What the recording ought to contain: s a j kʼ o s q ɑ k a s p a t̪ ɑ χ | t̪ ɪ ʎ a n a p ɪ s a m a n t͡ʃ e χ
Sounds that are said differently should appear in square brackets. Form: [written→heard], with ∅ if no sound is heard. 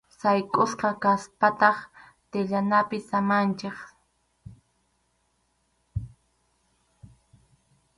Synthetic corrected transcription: s a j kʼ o s q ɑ k a s p a t̪ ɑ χ | t̪ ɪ ʎ a n a p ɪ s a m a n t͡ʃ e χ

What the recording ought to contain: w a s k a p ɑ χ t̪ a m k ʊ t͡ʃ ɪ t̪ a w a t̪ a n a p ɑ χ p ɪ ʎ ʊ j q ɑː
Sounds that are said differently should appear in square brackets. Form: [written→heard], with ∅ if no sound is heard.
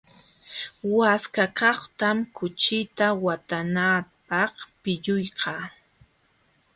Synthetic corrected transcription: w a s k a [p→k] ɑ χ t̪ a m k ʊ t͡ʃ ɪ t̪ a w a t̪ a n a p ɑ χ p ɪ ʎ ʊ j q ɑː

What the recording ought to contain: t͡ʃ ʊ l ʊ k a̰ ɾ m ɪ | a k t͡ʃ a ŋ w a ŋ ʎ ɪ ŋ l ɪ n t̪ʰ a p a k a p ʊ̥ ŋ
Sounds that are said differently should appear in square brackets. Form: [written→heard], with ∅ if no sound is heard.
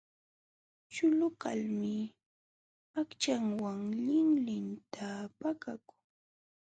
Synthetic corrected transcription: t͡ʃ ʊ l ʊ k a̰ [ɾ→l] m ɪ | a k t͡ʃ a ŋ w a ŋ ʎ ɪ ŋ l ɪ n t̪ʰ a p a k a [p→k] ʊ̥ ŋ

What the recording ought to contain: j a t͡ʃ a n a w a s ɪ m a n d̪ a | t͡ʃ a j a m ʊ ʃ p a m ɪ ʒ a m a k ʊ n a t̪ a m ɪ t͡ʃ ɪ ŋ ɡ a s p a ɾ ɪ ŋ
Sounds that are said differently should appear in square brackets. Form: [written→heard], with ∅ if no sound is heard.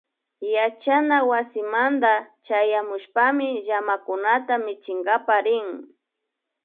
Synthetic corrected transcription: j a t͡ʃ a n a w a s ɪ m a n d̪ a | t͡ʃ a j a m ʊ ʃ p a m ɪ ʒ a m a k ʊ n a t̪ a m ɪ t͡ʃ ɪ ŋ ɡ a [s→∅] p a ɾ ɪ ŋ

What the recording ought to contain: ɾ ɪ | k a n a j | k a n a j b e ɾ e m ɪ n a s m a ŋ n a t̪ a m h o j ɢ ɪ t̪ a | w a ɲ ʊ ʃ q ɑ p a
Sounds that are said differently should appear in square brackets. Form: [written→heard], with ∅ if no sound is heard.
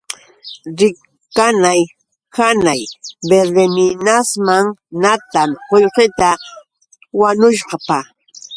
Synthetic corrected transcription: ɾ ɪ | k a n a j | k a n a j b e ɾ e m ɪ n a s m a ŋ n a t̪ a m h o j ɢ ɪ t̪ a | w a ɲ ʊ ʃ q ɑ p a

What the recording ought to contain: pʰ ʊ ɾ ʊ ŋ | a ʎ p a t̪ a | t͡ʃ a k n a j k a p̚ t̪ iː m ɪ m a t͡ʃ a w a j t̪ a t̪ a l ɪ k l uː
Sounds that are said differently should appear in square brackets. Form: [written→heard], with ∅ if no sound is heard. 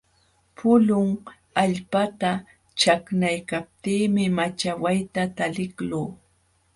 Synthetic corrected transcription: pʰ ʊ [ɾ→l] ʊ ŋ | a ʎ p a t̪ a | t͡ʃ a k n a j k a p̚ t̪ iː m ɪ m a t͡ʃ a w a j t̪ a t̪ a l ɪ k l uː

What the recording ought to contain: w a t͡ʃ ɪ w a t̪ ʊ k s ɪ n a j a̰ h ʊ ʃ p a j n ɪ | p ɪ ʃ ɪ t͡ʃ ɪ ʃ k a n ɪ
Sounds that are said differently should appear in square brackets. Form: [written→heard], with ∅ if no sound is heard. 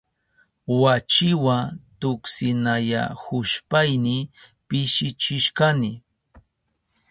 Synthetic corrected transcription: w a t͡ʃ ɪ w a t̪ ʊ k s ɪ n a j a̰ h ʊ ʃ p a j n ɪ | p ɪ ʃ ɪ t͡ʃ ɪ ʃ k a n ɪ

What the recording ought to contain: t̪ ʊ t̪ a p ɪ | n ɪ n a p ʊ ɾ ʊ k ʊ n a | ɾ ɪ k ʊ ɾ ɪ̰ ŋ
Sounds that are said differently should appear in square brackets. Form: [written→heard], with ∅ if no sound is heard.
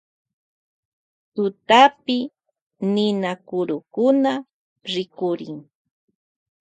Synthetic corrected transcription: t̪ ʊ t̪ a p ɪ | n ɪ n a [p→k] ʊ ɾ ʊ k ʊ n a | ɾ ɪ k ʊ ɾ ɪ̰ ŋ

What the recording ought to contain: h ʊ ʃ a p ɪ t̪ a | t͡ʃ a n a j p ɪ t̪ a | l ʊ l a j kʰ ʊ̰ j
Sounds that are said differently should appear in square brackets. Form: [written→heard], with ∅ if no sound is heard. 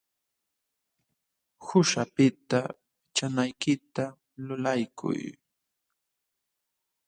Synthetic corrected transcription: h ʊ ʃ a p ɪ t̪ a | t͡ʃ a n a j [p→k] ɪ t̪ a | l ʊ l a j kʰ ʊ̰ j

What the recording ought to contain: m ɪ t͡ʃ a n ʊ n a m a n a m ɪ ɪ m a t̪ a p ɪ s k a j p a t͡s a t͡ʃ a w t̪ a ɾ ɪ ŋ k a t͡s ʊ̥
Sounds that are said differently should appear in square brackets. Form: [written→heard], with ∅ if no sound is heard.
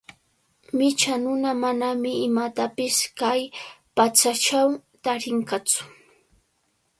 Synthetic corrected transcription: m ɪ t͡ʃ a n ʊ n a m a n a m ɪ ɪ m a t̪ a p ɪ s k a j p a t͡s a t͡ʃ a w t̪ a ɾ ɪ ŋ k a t͡s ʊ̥

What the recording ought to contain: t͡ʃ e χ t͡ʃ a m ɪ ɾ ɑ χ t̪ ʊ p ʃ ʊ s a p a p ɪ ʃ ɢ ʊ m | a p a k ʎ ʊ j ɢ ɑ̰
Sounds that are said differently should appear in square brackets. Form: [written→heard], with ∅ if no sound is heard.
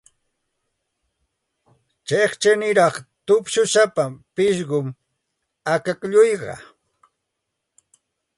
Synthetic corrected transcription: t͡ʃ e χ t͡ʃ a [m→n] ɪ ɾ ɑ χ t̪ ʊ p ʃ ʊ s a p a p ɪ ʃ ɢ ʊ m | a [p→k] a k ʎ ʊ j ɢ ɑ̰

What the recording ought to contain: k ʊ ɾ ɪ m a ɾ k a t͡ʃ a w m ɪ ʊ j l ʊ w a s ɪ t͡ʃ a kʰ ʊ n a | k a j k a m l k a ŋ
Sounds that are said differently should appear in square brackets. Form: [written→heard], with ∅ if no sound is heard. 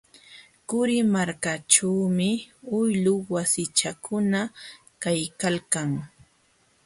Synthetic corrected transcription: k ʊ ɾ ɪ m a ɾ k a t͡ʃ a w m ɪ ʊ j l ʊ w a s ɪ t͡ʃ a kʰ ʊ n a | k a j k a [m→∅] l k a ŋ

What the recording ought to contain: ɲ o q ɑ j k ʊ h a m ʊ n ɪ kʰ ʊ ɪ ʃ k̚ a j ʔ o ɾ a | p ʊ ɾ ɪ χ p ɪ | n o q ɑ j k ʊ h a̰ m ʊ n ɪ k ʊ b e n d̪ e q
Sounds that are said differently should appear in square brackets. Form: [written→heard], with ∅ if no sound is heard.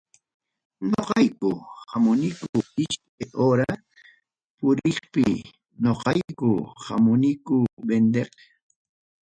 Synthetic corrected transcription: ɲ o q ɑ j k ʊ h a m ʊ n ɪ [kʰ→k] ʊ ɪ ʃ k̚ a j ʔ o ɾ a | p ʊ ɾ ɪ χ p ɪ | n o q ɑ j k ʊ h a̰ m ʊ n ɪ k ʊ b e n d̪ e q

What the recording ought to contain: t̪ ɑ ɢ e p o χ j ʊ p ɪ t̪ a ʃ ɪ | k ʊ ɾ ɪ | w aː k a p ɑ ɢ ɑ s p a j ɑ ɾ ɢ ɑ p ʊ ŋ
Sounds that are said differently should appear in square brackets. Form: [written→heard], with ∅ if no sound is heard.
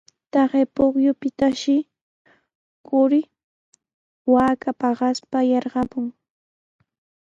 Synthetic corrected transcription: t̪ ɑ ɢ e p o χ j ʊ p ɪ t̪ a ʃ ɪ | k ʊ ɾ ɪ | w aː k a p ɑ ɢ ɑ s p a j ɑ ɾ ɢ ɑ p ʊ ŋ

